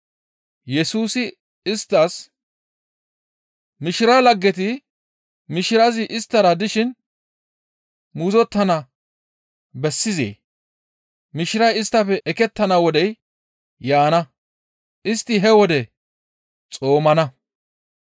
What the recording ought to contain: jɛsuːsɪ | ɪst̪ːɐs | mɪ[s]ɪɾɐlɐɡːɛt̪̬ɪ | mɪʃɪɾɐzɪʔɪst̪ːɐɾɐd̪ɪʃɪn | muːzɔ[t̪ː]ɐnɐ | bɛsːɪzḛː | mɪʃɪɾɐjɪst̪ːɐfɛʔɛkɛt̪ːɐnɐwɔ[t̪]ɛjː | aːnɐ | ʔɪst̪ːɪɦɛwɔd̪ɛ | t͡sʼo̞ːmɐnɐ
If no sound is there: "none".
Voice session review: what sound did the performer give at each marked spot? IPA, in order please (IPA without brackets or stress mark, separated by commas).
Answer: ʃ, t̪ː, d̪